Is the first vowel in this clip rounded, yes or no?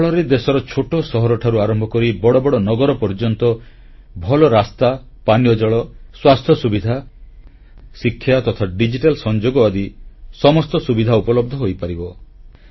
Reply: yes